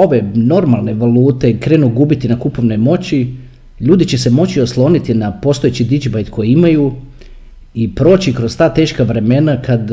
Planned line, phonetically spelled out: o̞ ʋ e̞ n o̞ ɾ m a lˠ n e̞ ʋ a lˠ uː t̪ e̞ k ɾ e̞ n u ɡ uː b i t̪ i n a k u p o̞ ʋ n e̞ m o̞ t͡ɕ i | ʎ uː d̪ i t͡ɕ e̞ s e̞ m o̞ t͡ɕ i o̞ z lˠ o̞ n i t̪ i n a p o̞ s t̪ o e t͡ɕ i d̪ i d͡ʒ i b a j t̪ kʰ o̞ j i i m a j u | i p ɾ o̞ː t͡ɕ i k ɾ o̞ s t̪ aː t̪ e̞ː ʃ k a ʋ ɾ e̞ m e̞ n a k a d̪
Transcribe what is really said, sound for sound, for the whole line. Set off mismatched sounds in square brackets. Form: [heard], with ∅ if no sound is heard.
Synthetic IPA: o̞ ʋ e̞ n o̞ ɾ m a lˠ n e̞ ʋ a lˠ uː t̪ e̞ k ɾ e̞ n u ɡ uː b i t̪ i n a k u p o̞ ʋ n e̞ m o̞ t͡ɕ i | ʎ uː d̪ i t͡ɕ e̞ s e̞ m o̞ t͡ɕ i o̞ [s] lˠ o̞ n i t̪ i n a p o̞ s t̪ o e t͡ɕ i d̪ i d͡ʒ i b a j t̪ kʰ o̞ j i i m a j u | i p ɾ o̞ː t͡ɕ i k ɾ o̞ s t̪ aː t̪ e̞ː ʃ k a ʋ ɾ e̞ m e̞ n a k a d̪